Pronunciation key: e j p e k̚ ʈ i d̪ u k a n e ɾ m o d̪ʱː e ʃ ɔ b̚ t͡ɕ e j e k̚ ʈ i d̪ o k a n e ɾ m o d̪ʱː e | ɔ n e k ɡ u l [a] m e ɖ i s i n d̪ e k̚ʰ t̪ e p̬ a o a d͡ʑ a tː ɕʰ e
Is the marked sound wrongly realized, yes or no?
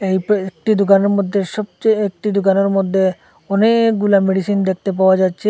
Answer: no